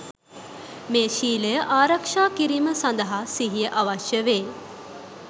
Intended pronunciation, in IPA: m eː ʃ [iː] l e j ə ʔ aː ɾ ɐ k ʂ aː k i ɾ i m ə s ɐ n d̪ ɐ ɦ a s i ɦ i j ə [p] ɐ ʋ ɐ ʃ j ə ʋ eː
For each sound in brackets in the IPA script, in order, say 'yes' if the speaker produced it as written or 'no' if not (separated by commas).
yes, no